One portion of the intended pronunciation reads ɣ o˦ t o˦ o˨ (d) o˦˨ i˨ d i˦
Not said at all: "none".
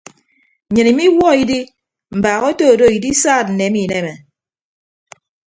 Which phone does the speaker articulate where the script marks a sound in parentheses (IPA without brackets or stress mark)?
d